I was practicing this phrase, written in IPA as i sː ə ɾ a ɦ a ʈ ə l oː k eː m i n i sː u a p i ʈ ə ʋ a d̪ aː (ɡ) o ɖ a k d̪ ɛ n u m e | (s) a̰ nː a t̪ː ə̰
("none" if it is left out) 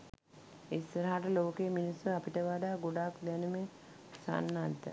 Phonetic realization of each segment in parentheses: ɡ, s

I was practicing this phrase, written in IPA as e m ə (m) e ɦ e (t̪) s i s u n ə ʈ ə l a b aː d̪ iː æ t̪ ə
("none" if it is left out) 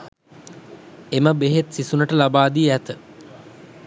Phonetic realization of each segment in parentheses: b, t̪

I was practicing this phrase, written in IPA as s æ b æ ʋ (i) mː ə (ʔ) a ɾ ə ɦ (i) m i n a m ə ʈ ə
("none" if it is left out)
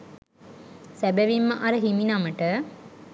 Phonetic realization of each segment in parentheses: i, ʔ, i

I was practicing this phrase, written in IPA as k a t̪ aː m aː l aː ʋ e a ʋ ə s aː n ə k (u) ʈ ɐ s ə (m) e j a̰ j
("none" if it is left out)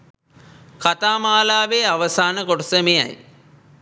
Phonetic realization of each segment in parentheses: o, m

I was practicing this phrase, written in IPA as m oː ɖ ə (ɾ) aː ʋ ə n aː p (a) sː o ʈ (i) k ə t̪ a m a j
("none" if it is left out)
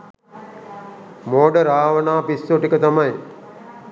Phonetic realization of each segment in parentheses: ɾ, i, i

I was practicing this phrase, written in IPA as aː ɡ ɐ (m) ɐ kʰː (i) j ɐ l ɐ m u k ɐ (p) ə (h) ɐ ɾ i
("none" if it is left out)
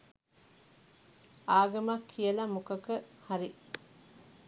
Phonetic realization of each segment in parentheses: m, i, k, h

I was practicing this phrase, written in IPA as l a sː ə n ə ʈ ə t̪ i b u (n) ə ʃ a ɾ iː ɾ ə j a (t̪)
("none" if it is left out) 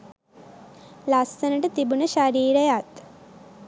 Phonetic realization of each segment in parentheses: n, t̪

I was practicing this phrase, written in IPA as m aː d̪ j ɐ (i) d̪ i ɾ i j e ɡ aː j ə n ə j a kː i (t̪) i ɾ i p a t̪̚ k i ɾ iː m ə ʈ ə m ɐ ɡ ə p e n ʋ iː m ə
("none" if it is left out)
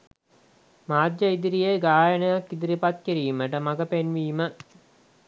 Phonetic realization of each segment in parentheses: i, d̪

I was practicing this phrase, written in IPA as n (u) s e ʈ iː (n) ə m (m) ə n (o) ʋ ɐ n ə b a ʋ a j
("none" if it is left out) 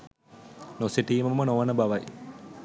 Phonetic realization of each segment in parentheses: o, m, m, o

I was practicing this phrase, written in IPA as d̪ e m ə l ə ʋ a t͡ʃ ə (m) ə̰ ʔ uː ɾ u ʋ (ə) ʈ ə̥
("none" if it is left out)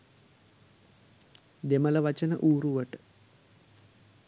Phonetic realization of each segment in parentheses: n, ə

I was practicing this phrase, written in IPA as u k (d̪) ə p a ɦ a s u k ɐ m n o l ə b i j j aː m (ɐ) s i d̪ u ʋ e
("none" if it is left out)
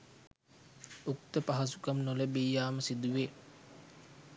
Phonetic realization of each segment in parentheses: t̪, ə

